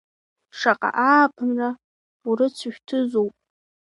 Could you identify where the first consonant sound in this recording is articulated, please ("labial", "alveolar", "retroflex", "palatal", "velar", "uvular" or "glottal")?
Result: retroflex